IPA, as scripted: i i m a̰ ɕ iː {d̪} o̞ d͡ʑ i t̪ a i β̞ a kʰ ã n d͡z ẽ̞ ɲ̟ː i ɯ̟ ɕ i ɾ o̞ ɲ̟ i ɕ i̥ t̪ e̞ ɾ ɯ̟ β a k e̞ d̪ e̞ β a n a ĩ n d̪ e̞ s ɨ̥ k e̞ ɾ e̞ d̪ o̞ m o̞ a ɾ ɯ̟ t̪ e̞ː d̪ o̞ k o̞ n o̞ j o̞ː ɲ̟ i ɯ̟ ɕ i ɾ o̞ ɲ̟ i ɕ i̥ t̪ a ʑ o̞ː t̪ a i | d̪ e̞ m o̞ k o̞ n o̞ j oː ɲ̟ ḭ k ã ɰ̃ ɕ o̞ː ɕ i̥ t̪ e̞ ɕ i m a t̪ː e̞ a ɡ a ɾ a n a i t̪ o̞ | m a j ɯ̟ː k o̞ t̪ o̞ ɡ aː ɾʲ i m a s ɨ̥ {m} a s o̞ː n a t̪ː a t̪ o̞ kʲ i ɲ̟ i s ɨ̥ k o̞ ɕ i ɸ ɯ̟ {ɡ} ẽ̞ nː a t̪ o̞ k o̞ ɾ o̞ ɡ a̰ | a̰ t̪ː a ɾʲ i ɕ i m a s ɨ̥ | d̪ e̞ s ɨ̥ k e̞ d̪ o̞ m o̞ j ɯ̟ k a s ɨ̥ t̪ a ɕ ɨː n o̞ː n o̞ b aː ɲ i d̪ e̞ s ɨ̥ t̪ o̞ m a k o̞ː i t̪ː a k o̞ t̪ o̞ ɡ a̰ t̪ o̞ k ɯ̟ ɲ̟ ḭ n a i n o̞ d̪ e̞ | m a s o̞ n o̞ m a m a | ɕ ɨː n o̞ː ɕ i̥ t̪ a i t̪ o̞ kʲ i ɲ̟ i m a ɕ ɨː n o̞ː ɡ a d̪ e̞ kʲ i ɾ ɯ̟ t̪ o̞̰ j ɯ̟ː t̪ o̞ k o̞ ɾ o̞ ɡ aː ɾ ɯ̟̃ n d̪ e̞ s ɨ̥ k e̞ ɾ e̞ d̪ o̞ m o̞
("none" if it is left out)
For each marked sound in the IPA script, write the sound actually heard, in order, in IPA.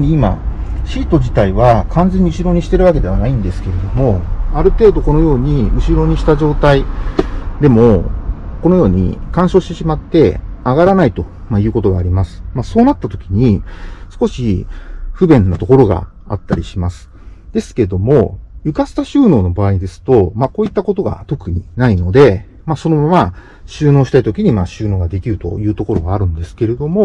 t̪, m, b

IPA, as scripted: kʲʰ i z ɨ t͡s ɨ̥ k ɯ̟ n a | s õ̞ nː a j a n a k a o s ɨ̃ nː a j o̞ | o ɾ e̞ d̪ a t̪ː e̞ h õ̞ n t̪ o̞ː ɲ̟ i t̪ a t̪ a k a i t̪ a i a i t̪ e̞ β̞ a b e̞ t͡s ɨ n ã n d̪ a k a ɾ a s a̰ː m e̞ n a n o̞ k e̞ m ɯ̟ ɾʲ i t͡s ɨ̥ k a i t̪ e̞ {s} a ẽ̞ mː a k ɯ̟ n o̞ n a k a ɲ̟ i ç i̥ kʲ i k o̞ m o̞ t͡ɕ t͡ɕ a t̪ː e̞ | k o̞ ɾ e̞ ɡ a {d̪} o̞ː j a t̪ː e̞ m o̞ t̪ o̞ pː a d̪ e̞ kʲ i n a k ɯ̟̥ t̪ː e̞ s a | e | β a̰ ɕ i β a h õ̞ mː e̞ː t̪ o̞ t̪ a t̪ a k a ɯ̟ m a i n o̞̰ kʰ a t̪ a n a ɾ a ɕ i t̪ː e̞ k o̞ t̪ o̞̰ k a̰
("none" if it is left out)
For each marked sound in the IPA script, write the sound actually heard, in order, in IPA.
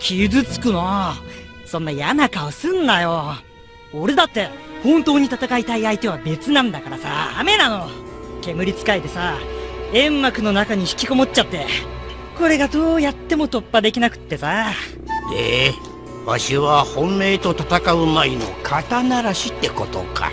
s, d̪

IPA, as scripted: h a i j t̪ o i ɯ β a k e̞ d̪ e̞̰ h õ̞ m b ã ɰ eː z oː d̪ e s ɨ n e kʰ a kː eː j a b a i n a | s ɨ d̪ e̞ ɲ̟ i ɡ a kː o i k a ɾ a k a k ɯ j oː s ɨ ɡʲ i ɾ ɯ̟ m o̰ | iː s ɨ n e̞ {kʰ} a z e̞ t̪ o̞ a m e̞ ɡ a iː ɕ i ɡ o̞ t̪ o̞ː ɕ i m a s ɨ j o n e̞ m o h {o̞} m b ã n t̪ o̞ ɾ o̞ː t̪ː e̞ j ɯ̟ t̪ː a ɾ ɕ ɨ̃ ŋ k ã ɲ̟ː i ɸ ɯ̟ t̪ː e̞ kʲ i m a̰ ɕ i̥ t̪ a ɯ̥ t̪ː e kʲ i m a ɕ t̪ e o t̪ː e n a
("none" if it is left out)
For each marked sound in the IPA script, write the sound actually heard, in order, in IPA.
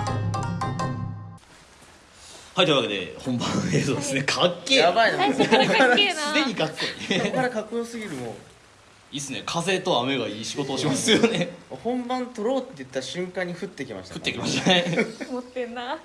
kʰ, õ̞

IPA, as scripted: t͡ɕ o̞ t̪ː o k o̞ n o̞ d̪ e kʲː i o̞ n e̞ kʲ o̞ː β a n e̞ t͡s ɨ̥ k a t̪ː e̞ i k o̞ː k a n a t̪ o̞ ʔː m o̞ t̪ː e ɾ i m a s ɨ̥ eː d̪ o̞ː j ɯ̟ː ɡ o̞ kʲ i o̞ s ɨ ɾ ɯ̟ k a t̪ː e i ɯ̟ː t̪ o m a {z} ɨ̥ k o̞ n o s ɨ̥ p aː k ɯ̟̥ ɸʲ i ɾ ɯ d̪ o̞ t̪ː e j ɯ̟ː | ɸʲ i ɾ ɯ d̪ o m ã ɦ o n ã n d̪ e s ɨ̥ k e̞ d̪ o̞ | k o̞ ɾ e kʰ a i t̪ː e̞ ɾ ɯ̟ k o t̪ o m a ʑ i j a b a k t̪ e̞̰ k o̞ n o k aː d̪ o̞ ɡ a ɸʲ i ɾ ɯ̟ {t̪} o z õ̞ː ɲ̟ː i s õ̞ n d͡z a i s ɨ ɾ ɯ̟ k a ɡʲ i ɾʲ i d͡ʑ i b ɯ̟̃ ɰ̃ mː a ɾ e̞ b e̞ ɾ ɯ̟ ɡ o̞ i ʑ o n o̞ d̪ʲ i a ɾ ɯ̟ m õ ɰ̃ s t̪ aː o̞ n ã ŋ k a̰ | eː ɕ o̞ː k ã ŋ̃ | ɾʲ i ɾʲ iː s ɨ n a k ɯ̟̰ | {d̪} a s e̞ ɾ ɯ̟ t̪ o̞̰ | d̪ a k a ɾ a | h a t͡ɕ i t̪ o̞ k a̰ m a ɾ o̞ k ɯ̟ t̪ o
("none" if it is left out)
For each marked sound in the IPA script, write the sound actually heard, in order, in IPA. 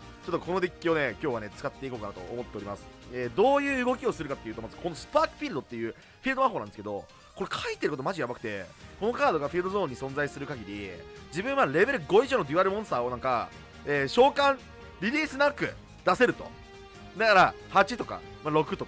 z, d̪, d̪

